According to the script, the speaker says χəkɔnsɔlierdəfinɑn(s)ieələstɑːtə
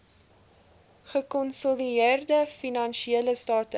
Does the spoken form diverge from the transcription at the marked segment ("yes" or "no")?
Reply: yes